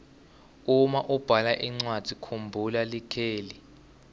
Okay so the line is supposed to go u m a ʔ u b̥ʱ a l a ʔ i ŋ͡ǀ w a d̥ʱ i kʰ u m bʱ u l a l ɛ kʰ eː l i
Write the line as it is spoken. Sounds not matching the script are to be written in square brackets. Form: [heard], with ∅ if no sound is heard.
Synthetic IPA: u m a ʔ u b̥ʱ a l a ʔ i ŋ͡ǀ w a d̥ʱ i kʰ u m bʱ u l a l [i] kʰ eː l i